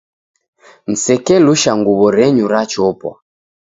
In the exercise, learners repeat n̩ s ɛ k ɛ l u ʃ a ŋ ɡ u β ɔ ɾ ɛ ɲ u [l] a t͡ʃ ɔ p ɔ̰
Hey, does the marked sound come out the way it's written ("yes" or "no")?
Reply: no